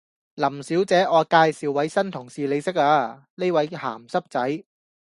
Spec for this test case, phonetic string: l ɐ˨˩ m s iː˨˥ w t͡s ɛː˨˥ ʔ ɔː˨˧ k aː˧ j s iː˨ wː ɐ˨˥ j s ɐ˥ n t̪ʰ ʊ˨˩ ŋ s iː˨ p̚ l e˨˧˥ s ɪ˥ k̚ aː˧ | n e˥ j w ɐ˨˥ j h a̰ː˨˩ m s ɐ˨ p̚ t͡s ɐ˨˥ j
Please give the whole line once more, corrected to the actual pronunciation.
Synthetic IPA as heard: l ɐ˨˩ m s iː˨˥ w t͡s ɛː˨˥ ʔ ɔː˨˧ k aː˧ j s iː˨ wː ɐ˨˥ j s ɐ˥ n t̪ʰ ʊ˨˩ ŋ s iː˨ l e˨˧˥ s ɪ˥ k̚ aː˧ | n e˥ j w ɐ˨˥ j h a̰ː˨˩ m s ɐ˥ p̚ t͡s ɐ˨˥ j

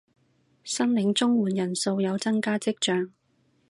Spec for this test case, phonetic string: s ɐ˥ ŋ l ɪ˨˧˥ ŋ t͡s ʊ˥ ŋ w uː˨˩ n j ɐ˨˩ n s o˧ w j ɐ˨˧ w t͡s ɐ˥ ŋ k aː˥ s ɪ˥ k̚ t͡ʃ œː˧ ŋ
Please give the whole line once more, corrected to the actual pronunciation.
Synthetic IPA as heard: s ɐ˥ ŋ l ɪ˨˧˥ ŋ t͡s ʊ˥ ŋ w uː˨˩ n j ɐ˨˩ n s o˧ w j ɐ˨˧ w t͡s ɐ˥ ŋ k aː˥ t͡s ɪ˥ k̚ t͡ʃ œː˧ ŋ

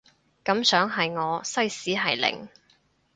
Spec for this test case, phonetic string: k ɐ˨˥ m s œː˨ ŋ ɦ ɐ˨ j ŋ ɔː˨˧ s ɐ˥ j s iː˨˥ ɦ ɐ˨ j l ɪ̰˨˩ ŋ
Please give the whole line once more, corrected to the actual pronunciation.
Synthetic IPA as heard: k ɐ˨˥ m s œː˨˥ ŋ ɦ ɐ˨ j ŋ ɔː˨˧ s ɐ˥ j s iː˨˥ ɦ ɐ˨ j l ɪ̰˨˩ ŋ

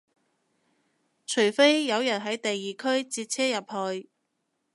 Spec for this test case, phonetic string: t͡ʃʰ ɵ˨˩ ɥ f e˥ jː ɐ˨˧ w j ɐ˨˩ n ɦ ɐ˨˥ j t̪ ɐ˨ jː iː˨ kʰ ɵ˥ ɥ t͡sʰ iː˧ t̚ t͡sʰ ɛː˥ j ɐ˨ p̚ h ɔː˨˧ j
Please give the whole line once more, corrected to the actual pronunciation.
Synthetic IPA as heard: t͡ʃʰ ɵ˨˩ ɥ f e˥ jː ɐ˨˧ w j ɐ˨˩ n ɦ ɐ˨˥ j t̪ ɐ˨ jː iː˨ kʰ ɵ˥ ɥ t͡s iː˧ t̚ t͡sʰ ɛː˥ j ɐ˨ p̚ h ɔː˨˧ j

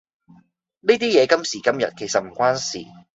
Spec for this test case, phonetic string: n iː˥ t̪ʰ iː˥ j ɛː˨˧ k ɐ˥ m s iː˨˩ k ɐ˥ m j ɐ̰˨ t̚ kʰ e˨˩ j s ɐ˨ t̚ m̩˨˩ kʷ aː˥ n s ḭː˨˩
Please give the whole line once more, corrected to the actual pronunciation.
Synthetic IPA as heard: n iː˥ t̪ iː˥ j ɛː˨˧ k ɐ˥ m s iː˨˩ k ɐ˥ m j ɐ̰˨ t̚ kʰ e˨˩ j s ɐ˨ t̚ m̩˨˩ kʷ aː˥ n s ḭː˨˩

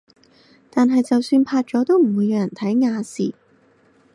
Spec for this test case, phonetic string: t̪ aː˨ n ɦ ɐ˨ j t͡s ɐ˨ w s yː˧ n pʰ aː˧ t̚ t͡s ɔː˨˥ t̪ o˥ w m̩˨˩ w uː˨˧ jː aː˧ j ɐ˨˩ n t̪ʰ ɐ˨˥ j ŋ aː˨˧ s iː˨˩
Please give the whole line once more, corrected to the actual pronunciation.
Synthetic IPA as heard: t̪ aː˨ n ɦ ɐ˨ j t͡s ɐ˨ w s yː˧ n pʰ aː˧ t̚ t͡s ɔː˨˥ t̪ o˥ w m̩˨˩ w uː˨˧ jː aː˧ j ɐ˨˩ n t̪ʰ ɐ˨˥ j ŋ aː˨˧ s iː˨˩

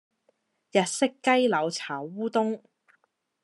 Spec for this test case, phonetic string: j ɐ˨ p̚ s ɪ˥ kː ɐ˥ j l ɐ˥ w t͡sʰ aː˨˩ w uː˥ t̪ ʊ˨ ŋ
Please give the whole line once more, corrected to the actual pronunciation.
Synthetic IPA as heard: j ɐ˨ t̚ s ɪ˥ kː ɐ˥ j l ɐ˨˧ w t͡sʰ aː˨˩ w uː˥ t̪ ʊ˥ ŋ

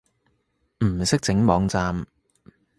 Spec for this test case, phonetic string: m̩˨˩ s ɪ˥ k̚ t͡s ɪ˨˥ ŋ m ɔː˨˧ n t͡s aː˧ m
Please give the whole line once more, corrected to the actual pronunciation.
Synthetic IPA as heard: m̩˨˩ s ɪ˥ k̚ t͡s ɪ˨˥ ŋ m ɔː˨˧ ŋ t͡s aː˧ m

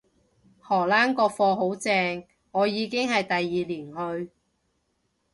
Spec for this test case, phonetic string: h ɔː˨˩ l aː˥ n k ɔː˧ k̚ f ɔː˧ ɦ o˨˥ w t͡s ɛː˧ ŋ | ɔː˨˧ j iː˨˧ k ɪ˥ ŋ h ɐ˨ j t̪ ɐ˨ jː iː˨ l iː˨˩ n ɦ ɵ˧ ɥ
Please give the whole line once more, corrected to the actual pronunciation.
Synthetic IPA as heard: h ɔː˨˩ l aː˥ n k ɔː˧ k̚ f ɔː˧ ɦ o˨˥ w t͡s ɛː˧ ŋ | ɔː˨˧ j iː˨˧ k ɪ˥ ŋ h ɐ˨ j t̪ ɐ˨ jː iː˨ l iː˨˩ n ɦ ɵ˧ ɥ

